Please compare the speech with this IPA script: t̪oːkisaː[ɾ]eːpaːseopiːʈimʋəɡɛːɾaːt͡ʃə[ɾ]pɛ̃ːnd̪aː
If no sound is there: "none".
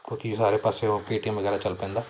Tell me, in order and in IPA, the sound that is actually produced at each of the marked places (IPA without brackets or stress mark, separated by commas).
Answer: ɾ, l